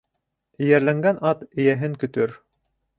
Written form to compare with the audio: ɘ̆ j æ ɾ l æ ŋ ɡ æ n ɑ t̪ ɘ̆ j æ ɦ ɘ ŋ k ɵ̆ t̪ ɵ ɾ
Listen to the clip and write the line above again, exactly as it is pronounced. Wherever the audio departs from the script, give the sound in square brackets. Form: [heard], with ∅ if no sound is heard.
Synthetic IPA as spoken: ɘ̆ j æ ɾ l æ ŋ ɡ æ n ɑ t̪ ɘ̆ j æ ɦ ɘ ŋ k ɵ̆ t̪ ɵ ɾ